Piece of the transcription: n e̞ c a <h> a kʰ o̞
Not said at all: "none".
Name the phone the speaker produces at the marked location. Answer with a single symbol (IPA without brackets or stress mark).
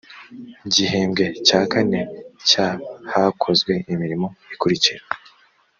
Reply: h